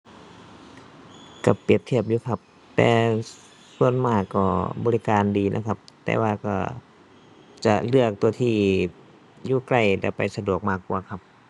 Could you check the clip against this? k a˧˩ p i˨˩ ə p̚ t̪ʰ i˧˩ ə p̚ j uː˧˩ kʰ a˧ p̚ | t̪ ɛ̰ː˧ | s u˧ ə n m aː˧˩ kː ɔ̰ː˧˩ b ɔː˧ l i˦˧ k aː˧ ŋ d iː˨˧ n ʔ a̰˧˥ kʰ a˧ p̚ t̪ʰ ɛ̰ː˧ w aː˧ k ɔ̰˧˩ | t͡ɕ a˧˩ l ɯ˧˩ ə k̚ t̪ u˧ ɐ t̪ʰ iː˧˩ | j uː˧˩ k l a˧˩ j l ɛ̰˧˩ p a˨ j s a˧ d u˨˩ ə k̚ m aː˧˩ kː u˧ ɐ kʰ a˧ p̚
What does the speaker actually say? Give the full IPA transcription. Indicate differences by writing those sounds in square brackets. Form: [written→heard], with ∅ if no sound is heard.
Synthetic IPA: k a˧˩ p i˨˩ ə p̚ t̪ʰ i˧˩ ə p̚ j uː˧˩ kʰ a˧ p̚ | t̪ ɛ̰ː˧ | s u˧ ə n m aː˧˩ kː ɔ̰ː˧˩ b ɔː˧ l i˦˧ k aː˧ [ŋ→n] d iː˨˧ n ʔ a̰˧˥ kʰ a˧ p̚ [t̪ʰ→t̪] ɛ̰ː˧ w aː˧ k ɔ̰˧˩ | t͡ɕ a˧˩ l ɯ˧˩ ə k̚ t̪ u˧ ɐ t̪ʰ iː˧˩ | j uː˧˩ k l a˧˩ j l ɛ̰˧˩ p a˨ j s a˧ d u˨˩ ə k̚ m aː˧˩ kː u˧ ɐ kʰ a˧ p̚